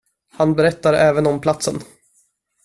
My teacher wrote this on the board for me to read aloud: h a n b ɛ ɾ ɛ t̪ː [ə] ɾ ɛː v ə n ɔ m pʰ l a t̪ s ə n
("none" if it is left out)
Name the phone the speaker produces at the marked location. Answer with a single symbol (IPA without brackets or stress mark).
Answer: a